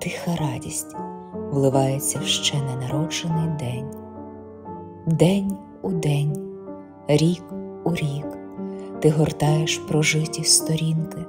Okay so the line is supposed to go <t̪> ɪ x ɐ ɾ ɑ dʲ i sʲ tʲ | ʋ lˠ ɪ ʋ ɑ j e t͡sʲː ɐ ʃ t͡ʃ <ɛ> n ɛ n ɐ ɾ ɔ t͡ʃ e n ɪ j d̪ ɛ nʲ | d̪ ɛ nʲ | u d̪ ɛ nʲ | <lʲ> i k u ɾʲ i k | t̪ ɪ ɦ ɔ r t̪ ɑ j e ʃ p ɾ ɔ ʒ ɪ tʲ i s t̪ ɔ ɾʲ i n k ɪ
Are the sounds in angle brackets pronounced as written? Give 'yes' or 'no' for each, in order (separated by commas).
yes, yes, no